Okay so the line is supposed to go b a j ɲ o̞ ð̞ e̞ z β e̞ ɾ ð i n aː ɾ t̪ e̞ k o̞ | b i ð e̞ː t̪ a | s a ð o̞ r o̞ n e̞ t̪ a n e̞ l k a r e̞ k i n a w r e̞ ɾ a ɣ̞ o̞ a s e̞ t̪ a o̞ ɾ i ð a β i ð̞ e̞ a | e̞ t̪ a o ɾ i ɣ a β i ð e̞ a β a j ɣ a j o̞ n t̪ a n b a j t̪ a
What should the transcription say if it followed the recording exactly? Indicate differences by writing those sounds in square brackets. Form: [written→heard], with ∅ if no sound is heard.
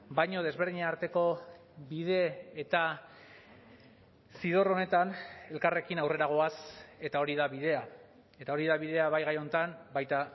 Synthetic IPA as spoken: b a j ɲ o̞ ð̞ e̞ z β e̞ ɾ ð i [n→ɲ] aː ɾ t̪ e̞ k o̞ | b i ð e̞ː t̪ a | s [a→i] ð o̞ r o̞ n e̞ t̪ a n e̞ l k a r e̞ k i n a w r e̞ ɾ a ɣ̞ o̞ a s e̞ t̪ a o̞ ɾ i ð a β i ð̞ e̞ a | e̞ t̪ a o ɾ i [ɣ→ð] a β i ð e̞ a β a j ɣ a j o̞ n t̪ a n b a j t̪ a